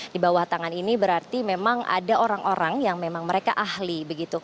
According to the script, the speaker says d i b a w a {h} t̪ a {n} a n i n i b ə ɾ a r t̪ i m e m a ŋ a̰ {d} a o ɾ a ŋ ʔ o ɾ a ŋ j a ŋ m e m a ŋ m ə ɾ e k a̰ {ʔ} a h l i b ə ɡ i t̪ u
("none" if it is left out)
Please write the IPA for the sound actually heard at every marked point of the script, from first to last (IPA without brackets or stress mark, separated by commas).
h, ŋ, d, ʔ